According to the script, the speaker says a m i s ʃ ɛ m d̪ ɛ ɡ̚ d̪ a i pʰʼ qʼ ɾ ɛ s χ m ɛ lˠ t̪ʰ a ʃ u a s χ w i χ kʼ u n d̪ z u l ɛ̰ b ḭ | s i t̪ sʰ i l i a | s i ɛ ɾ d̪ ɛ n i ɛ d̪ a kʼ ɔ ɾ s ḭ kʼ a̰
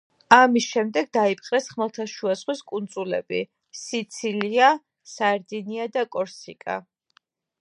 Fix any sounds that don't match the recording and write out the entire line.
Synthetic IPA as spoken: a m i s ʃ ɛ m d̪ ɛ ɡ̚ d̪ a i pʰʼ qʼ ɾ ɛ s χ m ɛ lˠ t̪ʰ a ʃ u a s χ w i s kʼ u n d̪ z u l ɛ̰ b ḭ | s i t̪ sʰ i l i a | s a ɛ ɾ d̪ i n i a d̪ a kʼ ɔ ɾ s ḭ kʼ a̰